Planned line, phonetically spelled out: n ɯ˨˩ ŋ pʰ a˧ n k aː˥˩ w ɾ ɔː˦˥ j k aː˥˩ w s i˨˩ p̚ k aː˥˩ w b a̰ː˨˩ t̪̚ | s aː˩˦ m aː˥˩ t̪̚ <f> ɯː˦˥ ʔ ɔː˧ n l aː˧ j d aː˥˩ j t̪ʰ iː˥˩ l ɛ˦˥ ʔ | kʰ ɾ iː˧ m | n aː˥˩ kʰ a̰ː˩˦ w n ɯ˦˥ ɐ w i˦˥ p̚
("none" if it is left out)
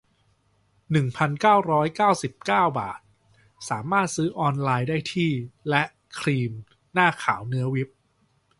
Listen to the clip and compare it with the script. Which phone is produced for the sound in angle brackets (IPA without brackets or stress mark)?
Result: s